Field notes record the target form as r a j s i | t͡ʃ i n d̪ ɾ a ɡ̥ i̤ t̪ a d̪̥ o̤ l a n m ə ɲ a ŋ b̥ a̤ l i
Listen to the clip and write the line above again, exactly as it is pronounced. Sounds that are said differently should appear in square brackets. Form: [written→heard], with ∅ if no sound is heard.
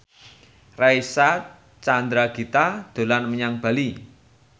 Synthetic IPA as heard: r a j s [i→a] | t͡ʃ [i→a] n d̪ ɾ a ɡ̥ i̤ t̪ a d̪̥ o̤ l a n m ə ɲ a ŋ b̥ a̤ l i